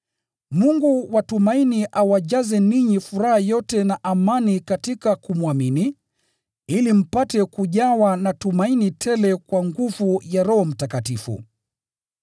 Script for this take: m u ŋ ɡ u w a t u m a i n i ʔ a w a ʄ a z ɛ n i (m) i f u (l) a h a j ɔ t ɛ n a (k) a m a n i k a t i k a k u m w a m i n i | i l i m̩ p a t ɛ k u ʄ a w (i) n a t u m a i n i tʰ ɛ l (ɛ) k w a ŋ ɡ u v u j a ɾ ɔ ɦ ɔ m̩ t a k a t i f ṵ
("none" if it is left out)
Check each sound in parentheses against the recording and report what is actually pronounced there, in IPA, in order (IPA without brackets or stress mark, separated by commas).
ɲ, ɾ, ʔ, a, ɛ